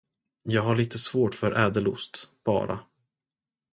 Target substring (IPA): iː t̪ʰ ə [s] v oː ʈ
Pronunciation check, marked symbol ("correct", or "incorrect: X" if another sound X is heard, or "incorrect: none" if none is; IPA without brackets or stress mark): correct